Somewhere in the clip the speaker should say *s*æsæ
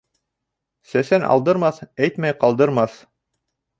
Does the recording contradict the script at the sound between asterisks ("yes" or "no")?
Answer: no